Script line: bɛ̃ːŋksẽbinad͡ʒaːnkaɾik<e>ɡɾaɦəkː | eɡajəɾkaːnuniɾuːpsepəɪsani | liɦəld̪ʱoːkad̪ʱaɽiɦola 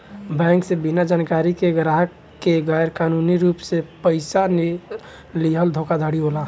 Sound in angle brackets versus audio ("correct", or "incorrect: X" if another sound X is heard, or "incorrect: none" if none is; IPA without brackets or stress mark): correct